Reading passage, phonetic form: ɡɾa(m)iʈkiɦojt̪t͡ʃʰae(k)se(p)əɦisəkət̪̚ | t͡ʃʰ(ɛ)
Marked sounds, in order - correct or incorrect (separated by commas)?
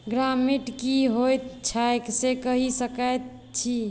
correct, correct, incorrect, incorrect